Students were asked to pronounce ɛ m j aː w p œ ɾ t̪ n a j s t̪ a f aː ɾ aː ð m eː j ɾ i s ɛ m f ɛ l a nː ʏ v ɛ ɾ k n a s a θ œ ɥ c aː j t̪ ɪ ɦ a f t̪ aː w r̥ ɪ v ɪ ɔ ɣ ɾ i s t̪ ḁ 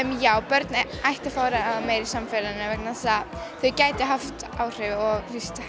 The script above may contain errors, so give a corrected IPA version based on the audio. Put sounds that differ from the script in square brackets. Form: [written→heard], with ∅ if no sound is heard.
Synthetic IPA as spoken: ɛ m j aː w p œ ɾ t̪ n a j [s→h] t̪ a f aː ɾ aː ð m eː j ɾ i s [ɛ→a] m f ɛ l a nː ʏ v ɛ [ɾ→∅] k n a s a θ œ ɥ c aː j t̪ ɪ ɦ a f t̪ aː w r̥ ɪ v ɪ ɔ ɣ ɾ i s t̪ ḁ